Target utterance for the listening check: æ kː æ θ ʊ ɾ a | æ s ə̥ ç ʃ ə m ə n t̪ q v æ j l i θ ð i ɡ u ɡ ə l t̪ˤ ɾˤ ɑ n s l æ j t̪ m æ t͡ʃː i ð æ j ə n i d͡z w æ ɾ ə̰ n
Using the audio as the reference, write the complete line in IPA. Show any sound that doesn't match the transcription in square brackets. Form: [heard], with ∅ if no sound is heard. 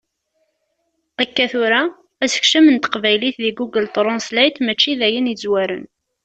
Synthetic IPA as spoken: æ kː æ θ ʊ ɾ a | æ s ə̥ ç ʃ ə m ə n t̪ q v æ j l i θ ð i ɡ u ɡ ə l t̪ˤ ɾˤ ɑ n s l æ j t̪ m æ t͡ʃː i ð æ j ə n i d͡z w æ ɾ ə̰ n